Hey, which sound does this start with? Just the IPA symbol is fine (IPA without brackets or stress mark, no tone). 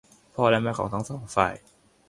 pʰ